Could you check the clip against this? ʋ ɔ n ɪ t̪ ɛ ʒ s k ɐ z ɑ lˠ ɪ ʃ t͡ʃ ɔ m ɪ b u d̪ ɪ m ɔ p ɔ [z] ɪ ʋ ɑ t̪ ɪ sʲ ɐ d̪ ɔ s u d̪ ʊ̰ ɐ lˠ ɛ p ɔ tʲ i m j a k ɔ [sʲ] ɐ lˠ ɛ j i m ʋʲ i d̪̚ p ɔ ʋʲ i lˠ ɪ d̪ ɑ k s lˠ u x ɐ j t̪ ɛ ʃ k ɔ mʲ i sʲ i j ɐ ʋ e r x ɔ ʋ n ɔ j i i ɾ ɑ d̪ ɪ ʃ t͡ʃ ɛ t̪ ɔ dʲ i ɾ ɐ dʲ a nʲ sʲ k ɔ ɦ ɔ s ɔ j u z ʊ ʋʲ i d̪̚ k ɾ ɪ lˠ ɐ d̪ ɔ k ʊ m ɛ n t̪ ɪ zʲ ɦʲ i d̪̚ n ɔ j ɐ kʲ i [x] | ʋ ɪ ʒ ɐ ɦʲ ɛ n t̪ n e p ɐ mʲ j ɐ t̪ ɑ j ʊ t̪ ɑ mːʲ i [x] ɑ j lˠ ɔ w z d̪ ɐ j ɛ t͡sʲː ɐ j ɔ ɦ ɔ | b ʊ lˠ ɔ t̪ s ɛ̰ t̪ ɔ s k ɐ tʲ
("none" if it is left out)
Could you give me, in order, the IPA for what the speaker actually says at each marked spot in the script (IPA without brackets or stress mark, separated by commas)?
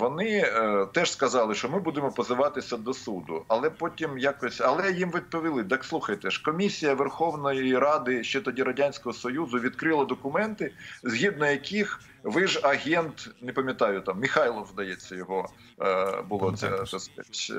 z, sʲ, x, x